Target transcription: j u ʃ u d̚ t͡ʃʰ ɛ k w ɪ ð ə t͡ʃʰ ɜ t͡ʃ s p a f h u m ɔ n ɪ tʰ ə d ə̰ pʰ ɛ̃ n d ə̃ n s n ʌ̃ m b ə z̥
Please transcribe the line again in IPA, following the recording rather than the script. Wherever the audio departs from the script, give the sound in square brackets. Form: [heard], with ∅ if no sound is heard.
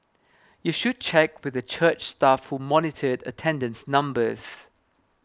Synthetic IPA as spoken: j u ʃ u d̚ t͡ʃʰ ɛ k w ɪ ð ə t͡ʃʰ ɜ t͡ʃ s [t] a f h u m ɔ n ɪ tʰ ə d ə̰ [tʰ] ɛ̃ n d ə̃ n s n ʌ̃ m b ə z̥